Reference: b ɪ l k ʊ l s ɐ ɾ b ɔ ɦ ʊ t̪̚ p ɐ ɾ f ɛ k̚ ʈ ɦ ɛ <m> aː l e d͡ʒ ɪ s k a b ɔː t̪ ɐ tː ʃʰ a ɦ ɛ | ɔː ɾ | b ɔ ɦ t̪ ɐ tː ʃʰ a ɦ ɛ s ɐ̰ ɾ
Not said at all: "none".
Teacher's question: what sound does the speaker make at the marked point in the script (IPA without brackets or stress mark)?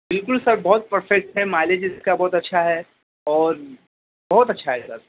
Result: m